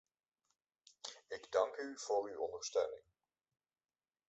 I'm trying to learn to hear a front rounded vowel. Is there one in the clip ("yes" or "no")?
yes